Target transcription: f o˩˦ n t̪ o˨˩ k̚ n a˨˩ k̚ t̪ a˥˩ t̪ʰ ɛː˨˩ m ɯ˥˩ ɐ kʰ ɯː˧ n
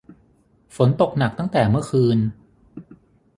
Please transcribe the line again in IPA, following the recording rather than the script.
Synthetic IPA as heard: f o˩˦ n t̪ o˨˩ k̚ n a˨˩ k̚ t̪ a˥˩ t̪ ɛː˨˩ m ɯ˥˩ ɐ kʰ ɯː˧ n